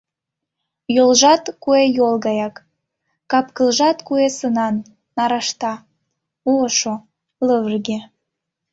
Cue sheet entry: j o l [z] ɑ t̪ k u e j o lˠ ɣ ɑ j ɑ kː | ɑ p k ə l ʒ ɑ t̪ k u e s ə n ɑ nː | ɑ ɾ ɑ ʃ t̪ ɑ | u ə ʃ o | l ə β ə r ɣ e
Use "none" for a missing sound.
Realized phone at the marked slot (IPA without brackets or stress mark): ʒ